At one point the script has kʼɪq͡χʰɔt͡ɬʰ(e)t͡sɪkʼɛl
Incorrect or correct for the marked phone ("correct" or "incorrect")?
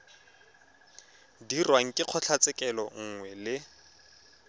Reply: incorrect